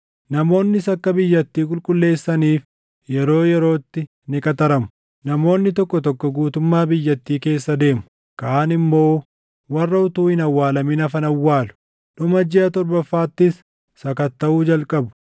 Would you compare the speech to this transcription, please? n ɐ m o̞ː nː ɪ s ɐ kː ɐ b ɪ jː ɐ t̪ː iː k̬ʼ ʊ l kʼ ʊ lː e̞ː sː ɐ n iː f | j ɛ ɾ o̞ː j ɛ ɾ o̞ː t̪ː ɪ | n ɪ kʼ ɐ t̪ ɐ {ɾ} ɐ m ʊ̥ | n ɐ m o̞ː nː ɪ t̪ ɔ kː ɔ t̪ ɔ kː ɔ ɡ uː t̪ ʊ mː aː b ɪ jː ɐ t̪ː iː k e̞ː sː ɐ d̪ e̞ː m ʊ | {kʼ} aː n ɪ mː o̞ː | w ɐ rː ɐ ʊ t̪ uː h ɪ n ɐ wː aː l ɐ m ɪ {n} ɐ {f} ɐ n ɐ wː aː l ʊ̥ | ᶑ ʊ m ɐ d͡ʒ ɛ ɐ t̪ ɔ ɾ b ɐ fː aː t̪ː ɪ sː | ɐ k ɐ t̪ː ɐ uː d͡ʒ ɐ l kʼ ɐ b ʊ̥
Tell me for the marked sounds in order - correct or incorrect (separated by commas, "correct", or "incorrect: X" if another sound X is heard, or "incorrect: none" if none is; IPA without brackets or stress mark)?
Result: correct, incorrect: k, correct, correct